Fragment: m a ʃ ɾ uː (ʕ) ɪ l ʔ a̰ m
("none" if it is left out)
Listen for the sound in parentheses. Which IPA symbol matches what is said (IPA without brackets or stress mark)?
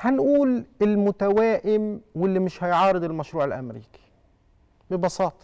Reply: ʕ